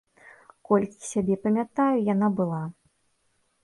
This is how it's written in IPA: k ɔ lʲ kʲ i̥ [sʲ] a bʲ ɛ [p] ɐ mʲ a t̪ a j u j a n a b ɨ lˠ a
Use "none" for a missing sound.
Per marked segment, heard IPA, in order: sʲ, p

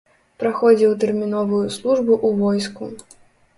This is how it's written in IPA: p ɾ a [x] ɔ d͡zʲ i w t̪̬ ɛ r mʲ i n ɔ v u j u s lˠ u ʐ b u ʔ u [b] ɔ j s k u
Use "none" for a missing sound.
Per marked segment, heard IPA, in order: x, v

